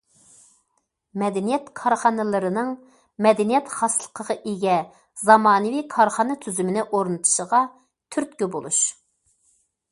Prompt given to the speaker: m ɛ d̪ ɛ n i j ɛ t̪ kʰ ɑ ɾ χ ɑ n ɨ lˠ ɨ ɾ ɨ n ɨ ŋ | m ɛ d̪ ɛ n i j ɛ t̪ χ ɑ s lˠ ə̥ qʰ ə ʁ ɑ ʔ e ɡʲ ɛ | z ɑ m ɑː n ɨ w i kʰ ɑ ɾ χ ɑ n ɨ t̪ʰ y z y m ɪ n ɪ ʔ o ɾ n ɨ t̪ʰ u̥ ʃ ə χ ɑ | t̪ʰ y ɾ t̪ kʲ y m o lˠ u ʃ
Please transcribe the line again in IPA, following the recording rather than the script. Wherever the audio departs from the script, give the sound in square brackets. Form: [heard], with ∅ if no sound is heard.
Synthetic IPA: m ɛ d̪ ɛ n i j ɛ t̪ kʰ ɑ ɾ χ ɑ n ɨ lˠ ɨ ɾ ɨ n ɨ ŋ | m ɛ d̪ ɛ n i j ɛ t̪ χ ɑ s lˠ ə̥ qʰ ə ʁ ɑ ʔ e ɡʲ ɛ | z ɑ m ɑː n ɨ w i kʰ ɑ ɾ χ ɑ n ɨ t̪ʰ y z y m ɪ n ɪ ʔ o ɾ n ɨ t̪ʰ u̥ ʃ ə [ʁ] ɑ | t̪ʰ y ɾ t̪ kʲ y [b] o lˠ u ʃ